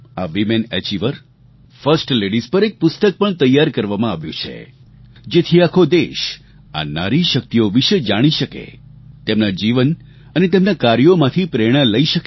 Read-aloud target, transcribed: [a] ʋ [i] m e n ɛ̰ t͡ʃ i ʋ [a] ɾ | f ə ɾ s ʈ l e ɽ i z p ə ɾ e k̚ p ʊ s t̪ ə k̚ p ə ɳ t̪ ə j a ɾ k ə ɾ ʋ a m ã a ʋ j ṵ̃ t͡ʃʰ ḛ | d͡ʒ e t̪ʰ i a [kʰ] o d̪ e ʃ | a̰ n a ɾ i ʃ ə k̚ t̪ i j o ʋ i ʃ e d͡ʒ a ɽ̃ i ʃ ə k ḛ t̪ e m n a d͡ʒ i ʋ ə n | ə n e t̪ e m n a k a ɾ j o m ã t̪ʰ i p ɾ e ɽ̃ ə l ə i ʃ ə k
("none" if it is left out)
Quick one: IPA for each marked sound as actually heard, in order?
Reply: a, i, ə, kʰ

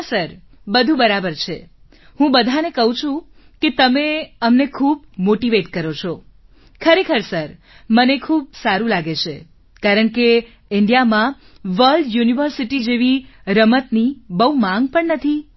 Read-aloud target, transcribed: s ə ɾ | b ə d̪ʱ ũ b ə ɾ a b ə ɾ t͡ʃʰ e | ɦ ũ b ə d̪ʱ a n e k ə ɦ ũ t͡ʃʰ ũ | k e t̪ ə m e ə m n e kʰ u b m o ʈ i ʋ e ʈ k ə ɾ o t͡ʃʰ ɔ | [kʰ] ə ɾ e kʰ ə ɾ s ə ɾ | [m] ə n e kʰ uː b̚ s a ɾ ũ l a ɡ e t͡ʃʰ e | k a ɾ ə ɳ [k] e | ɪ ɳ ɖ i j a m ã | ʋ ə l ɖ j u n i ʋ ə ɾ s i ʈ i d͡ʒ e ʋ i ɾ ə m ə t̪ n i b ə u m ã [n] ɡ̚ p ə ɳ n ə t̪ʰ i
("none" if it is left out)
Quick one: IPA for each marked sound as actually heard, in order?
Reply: kʰ, m, k, ŋ

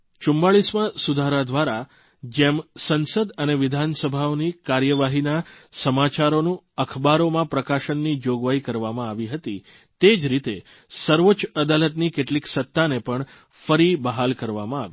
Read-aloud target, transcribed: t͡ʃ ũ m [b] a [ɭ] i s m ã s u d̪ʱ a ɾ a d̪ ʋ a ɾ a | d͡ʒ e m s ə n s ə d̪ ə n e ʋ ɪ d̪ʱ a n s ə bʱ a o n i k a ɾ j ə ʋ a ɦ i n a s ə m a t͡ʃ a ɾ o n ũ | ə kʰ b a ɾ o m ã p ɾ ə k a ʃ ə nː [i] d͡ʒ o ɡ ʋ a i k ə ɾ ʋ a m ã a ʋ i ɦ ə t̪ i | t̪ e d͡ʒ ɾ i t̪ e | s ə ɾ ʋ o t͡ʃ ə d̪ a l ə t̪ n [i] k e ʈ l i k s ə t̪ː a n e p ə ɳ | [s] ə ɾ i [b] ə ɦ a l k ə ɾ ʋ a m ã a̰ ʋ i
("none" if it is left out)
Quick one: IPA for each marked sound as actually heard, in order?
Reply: b, ɭ, i, i, f, b

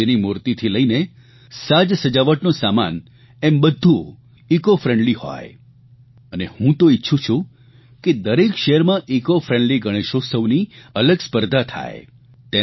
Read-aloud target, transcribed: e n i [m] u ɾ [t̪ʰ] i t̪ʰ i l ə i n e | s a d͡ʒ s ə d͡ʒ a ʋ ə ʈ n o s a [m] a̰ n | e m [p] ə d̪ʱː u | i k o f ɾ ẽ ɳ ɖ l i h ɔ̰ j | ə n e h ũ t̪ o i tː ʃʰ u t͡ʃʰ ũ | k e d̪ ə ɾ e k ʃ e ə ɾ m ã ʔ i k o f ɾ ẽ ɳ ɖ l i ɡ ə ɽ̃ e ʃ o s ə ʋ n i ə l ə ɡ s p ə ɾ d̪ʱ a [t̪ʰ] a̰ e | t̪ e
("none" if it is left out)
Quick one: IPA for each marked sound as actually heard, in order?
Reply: m, t̪, m, b, t̪ʰ

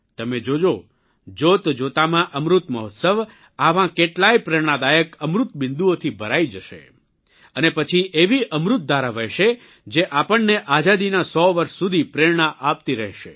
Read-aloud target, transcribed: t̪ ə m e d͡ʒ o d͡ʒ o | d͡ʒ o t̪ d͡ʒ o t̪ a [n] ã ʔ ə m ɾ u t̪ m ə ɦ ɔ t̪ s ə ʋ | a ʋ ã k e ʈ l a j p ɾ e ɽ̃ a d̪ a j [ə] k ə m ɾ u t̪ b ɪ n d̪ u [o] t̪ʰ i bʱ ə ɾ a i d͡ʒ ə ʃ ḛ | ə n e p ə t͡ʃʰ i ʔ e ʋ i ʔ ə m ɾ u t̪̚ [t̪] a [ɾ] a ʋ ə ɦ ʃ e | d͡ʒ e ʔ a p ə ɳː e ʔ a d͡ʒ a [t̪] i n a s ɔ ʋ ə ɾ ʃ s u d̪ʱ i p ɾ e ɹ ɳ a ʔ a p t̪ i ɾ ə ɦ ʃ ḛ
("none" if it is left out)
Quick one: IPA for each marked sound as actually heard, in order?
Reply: m, ə, o, d̪, ɾ, d̪

